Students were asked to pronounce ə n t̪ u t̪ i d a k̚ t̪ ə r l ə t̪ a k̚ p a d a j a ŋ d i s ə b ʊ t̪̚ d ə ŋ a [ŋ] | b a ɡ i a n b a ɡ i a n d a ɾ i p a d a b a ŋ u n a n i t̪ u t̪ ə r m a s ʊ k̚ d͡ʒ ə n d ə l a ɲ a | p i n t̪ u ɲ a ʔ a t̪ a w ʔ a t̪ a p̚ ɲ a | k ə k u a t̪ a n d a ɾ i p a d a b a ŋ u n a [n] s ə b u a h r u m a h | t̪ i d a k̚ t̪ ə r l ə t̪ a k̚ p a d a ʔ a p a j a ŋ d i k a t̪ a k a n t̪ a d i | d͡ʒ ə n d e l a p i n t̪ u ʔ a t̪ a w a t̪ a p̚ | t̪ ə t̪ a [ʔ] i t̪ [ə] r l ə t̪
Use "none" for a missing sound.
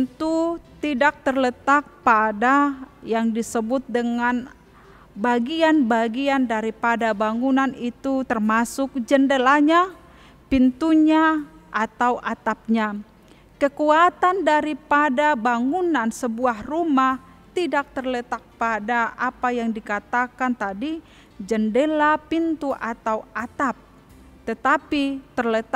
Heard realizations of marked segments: n, n, p, ə

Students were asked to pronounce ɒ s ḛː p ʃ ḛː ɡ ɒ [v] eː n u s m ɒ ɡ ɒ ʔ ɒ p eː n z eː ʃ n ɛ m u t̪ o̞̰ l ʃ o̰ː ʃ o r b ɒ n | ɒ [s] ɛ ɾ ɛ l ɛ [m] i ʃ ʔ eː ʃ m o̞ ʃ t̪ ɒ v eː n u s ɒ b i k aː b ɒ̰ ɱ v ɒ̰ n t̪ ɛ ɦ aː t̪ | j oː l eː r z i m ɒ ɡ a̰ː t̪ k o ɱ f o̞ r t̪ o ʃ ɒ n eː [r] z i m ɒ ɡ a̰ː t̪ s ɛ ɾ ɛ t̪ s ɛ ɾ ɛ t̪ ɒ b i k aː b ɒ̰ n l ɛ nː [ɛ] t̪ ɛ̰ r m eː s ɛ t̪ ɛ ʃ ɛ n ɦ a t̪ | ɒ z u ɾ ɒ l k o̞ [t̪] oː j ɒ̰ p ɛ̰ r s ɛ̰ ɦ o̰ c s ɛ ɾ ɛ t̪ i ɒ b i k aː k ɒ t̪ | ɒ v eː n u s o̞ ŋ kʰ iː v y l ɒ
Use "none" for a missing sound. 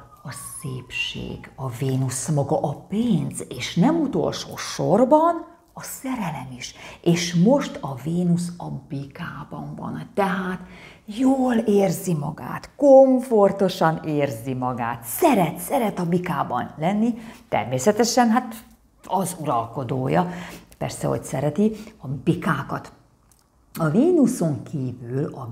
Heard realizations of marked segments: v, s, m, r, i, d̪

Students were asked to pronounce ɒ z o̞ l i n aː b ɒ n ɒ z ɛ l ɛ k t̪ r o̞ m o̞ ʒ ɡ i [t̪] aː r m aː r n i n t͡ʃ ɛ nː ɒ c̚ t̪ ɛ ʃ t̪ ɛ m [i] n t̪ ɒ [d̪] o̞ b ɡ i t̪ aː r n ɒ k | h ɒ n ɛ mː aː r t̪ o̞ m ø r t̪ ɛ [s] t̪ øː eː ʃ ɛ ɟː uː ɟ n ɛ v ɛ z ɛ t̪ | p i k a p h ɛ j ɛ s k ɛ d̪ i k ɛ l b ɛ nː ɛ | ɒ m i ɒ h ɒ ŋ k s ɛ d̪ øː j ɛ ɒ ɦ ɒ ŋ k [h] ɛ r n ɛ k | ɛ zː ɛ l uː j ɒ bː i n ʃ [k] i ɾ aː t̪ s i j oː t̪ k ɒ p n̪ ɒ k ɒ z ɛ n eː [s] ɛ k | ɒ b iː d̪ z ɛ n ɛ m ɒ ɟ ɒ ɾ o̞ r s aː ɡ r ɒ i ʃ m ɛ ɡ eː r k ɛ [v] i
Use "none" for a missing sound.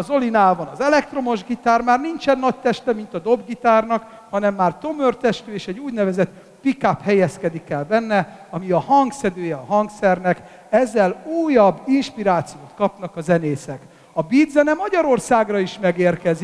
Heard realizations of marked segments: t̪, i, d̪, ʃ, s, p, s, z

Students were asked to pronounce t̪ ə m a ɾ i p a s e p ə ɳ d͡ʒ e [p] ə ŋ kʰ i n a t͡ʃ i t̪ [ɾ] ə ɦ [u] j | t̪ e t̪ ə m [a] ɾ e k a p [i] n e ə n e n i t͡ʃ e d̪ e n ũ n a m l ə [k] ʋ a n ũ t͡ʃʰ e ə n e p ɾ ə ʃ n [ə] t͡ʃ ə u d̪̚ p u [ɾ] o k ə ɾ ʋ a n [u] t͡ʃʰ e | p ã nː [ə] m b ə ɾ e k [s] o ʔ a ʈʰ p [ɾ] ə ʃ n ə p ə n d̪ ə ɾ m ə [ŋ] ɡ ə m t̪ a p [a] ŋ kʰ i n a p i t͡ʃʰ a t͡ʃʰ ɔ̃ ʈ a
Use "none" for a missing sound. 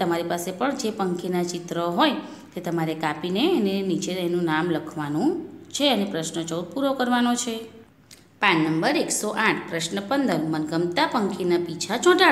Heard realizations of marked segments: p, ɾ, o, a, i, kʰ, ə, ɾ, o, ə, s, ɾ, n, ə

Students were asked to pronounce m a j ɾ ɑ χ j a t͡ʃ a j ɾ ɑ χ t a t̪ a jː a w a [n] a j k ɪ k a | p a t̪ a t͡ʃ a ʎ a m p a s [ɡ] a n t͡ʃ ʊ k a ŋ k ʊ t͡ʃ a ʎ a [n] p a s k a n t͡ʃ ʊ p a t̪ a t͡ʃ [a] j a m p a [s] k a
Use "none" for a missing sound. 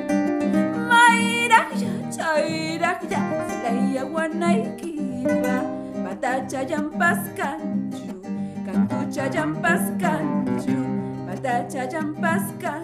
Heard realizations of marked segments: n, k, m, a, s

